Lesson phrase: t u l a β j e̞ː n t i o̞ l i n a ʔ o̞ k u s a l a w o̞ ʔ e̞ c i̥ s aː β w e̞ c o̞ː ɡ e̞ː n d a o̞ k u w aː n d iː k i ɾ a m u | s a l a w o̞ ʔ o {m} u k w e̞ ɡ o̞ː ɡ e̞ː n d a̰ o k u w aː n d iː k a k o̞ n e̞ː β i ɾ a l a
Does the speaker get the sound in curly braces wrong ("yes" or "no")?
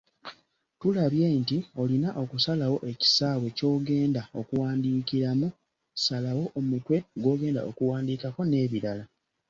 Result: no